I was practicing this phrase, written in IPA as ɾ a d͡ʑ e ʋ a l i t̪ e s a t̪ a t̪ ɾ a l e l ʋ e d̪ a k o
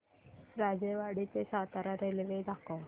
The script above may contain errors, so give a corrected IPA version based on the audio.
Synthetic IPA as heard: ɾ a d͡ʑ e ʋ a ɽ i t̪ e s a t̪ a ɾ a ɾ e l ʋ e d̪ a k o